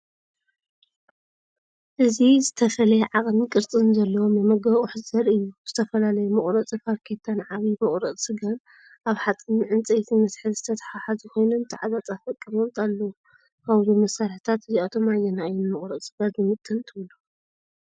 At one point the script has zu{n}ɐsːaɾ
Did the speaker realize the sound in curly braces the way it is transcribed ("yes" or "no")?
no